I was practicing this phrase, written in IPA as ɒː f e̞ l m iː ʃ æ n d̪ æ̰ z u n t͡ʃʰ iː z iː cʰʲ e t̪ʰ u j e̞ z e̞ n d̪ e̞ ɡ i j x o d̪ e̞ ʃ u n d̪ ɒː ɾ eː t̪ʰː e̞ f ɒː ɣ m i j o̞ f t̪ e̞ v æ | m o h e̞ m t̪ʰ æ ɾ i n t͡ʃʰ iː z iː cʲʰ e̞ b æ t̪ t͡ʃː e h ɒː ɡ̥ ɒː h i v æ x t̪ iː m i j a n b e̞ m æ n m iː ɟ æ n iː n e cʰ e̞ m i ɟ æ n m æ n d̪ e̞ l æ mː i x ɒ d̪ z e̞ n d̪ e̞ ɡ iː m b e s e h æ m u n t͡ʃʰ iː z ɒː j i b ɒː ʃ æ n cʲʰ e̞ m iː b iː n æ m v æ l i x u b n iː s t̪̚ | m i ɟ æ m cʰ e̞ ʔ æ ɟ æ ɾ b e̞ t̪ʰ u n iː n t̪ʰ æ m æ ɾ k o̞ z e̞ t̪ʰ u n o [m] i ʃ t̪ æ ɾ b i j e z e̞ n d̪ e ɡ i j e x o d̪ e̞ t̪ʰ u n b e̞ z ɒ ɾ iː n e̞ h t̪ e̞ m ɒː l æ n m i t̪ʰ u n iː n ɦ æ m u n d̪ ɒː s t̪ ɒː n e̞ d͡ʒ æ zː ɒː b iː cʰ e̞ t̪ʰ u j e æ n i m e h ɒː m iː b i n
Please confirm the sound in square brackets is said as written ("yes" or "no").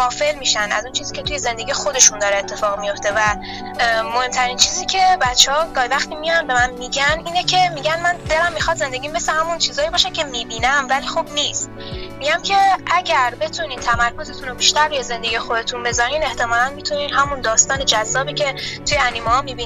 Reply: no